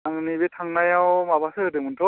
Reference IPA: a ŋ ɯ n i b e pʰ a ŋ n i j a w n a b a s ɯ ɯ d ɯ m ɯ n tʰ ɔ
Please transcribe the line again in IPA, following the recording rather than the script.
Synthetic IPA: a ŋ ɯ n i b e tʰ a ŋ n a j a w m a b a s ɯ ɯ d ɯ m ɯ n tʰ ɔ

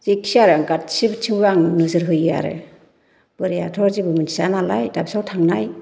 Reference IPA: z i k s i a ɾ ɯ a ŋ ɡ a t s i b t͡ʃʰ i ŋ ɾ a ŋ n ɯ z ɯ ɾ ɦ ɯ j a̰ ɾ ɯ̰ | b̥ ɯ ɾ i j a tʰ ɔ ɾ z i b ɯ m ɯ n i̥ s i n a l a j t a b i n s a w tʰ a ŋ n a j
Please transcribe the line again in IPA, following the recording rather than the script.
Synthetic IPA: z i k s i a ɾ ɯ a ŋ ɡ a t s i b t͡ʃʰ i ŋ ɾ a ŋ n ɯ z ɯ ɾ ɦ ɯ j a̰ ɾ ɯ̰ | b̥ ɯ ɾ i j a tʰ ɔ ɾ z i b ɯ m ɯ n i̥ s a n a l a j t a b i s a w tʰ a ŋ n a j

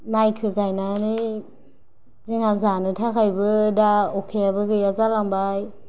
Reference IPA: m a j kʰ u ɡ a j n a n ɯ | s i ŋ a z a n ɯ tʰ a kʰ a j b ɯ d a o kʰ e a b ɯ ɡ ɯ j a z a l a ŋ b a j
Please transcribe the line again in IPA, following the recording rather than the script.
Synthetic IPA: m a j kʰ ɯ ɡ a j n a n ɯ | z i ŋ a z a n ɯ tʰ a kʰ a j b ɯ d a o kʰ e a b ɯ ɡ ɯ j a z a l a ŋ b a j

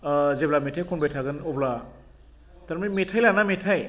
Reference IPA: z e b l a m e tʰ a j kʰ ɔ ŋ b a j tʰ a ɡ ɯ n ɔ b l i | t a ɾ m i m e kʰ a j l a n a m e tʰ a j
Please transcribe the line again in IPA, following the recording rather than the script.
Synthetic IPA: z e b l a m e tʰ a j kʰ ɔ n b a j tʰ a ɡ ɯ n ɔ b l a | t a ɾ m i m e tʰ a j l a n a m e tʰ a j

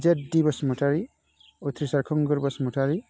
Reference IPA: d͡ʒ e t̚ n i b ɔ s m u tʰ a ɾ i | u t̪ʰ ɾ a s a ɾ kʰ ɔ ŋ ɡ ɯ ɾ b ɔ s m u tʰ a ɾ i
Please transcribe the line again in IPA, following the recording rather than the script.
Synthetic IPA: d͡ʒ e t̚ d i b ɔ s m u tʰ a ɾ i | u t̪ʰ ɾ i s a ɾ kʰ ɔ ŋ ɡ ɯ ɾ b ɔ s m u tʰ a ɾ i

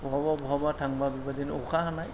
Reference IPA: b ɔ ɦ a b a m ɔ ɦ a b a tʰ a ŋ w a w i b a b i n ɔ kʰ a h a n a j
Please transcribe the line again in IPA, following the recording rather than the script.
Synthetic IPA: b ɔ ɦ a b a b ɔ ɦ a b a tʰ a ŋ b a b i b a d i n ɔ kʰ a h a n a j

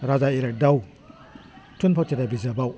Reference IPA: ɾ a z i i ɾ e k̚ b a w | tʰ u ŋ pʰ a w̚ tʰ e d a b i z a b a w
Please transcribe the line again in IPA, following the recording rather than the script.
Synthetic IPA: ɾ a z a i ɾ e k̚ d a w | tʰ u n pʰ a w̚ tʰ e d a b i z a b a w

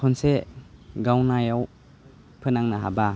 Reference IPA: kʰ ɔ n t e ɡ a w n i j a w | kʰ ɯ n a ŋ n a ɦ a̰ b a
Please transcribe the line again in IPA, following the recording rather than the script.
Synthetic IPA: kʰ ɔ n s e ɡ a w n a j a w | pʰ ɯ n a ŋ n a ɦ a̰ b a

